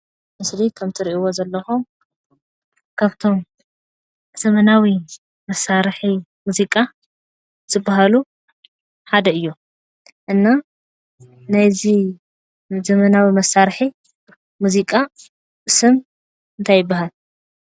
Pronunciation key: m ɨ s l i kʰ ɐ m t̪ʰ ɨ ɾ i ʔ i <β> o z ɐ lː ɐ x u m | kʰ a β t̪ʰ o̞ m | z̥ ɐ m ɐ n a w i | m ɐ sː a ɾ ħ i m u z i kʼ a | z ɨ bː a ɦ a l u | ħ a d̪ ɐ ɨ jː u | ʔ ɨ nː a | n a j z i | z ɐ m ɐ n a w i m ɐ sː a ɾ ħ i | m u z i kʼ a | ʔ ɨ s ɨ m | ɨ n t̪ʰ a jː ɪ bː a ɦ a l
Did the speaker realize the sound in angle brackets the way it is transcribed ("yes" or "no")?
no